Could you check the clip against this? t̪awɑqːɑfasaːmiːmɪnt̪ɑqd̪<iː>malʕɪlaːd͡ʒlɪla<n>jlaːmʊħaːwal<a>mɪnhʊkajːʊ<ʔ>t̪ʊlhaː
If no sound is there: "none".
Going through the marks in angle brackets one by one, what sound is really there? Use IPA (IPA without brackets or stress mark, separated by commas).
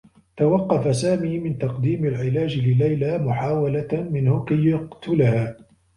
iː, none, a, q